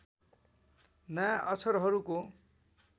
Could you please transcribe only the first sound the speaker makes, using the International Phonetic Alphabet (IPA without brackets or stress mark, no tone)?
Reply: n